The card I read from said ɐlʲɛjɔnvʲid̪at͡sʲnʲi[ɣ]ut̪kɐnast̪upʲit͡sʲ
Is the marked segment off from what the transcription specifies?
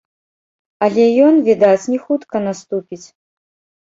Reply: yes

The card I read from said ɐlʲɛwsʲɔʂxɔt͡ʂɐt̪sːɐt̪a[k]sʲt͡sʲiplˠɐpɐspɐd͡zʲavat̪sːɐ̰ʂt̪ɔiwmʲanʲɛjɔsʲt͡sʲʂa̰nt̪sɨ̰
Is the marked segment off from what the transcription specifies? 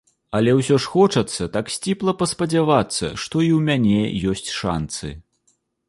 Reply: no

